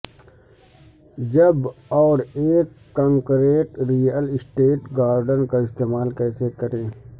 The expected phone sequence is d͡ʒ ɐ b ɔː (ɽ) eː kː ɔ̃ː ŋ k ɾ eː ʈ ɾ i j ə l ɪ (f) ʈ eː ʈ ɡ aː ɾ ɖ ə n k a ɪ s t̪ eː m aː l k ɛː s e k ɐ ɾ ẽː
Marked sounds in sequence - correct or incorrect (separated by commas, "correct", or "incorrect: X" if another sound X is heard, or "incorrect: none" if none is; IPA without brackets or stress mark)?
incorrect: ɾ, incorrect: s